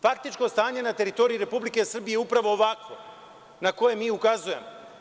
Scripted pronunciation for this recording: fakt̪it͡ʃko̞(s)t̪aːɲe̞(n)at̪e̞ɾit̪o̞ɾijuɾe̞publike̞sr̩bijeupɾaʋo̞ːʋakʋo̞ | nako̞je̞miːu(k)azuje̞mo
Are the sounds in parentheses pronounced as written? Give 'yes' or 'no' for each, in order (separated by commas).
yes, yes, yes